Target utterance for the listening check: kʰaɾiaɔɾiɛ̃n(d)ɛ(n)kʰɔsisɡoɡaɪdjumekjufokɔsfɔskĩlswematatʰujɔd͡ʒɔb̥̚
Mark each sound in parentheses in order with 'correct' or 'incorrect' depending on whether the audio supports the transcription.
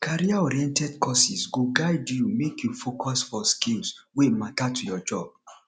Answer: incorrect: t, incorrect: d

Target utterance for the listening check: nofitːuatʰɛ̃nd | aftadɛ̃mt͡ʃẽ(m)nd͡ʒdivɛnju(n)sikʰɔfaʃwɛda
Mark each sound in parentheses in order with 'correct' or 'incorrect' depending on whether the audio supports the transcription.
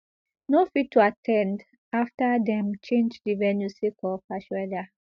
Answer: incorrect: none, incorrect: none

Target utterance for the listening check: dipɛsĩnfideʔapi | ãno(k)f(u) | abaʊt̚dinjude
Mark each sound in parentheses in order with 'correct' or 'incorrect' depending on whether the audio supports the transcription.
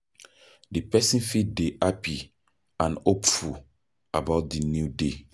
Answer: incorrect: p, correct

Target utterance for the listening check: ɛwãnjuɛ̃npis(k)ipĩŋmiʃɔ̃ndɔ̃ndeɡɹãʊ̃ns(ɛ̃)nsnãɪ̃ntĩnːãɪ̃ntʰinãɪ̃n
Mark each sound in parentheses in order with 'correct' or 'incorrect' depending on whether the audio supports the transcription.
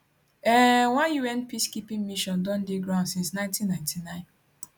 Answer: correct, incorrect: ĩ

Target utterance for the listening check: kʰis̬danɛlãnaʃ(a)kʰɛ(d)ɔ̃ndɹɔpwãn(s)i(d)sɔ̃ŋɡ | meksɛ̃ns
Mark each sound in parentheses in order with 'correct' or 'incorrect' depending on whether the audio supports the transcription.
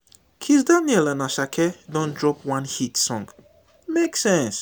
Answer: correct, correct, incorrect: h, incorrect: t

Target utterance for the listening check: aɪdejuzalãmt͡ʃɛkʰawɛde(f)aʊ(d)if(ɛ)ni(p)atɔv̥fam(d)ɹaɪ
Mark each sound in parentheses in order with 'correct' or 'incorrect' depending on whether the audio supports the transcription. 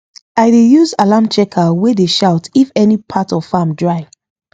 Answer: incorrect: ʃ, incorrect: t, correct, incorrect: pʰ, correct

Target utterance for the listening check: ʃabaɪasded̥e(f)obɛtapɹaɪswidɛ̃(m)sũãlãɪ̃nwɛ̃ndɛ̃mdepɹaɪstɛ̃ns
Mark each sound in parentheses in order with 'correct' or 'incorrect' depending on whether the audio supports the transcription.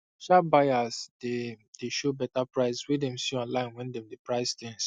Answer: incorrect: ʃ, correct

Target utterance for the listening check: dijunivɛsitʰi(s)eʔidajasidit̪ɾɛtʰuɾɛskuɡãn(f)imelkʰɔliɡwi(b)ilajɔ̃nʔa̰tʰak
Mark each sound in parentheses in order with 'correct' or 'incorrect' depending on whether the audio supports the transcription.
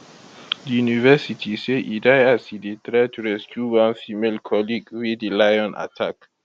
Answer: correct, correct, incorrect: d

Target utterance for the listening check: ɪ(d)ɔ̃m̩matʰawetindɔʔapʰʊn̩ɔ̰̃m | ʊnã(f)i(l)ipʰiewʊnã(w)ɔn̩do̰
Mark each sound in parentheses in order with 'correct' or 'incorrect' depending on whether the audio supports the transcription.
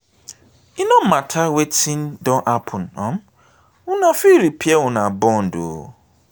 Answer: incorrect: n, correct, incorrect: ɾ, incorrect: b

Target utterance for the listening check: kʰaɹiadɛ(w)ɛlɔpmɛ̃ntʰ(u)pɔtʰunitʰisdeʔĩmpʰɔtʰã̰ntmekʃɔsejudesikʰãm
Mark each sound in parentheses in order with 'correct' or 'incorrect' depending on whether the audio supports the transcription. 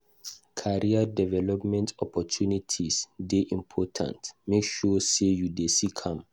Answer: incorrect: v, incorrect: ɔ

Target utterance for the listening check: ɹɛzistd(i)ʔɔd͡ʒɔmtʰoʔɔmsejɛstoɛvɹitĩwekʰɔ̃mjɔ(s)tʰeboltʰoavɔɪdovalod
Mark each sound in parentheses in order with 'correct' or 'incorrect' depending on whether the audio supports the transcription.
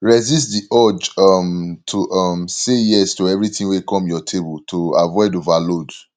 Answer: correct, incorrect: none

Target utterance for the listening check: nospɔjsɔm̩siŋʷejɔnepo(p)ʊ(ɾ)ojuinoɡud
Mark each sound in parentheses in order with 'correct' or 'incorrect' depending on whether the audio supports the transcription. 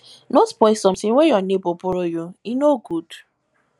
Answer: correct, correct

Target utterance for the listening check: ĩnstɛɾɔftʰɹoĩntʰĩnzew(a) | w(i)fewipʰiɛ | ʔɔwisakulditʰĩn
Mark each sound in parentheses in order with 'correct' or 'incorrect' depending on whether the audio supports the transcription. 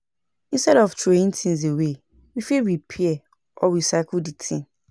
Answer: incorrect: e, correct

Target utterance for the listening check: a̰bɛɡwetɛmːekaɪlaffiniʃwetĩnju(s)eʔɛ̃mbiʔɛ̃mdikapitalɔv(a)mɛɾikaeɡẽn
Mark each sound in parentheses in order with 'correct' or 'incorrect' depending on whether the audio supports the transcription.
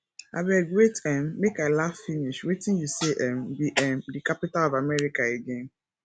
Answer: correct, correct

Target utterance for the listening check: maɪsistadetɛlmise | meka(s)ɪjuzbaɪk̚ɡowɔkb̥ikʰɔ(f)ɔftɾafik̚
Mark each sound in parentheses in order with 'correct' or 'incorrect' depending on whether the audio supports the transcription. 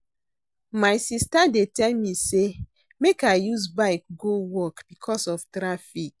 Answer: incorrect: none, incorrect: s

